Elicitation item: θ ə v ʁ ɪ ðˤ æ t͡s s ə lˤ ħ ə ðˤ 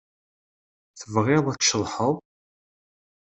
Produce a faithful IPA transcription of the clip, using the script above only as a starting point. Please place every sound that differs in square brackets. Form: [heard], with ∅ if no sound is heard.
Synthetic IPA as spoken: θ ə v ʁ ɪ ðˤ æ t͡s [ʃ] ə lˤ ħ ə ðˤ

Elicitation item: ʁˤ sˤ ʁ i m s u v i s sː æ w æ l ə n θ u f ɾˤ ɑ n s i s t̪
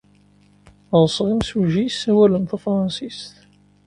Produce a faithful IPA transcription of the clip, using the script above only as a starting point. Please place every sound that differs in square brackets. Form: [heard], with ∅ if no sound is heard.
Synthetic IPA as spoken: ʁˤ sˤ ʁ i m s u [ʒ] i s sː æ w æ l ə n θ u f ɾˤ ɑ n s i s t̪

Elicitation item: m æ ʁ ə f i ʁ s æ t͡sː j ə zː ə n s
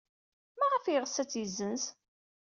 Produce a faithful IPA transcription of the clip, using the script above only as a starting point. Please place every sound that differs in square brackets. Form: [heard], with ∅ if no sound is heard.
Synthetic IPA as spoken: m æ ʁ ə f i ʁ s æ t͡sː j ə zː ə n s

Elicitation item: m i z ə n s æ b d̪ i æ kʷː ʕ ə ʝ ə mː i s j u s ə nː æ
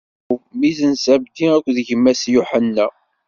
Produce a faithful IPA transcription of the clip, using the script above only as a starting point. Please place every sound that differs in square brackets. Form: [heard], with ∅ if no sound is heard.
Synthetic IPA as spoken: m i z ə n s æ b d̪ i æ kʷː [ð] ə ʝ ə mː [æ] s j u [ħ] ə nː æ

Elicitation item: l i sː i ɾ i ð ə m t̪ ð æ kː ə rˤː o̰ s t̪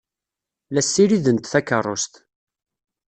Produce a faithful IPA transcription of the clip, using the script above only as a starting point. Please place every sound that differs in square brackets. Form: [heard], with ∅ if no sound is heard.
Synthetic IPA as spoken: l [æ] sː i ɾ i ð ə [n] t̪ [θ] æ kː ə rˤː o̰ s t̪

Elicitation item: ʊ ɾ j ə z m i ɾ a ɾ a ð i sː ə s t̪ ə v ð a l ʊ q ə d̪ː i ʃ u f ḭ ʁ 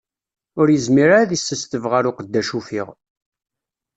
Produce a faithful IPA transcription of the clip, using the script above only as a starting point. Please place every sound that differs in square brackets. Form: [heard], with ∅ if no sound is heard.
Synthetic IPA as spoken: ʊ ɾ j ə z m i ɾ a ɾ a ð i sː ə s t̪ ə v [ʁ] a [ɾ] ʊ q ə d̪ː [æ] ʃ u f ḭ ʁ

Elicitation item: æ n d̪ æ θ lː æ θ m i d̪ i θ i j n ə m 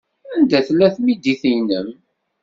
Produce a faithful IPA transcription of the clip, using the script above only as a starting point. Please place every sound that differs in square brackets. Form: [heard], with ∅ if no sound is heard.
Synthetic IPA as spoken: æ n d̪ æ θ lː æ θ m i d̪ i θ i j n ə m

